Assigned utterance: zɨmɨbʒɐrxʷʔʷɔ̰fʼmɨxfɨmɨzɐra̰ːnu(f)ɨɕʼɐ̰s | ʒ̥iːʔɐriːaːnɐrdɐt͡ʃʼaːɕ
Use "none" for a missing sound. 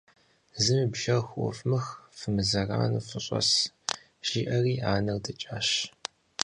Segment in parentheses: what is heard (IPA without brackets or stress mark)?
f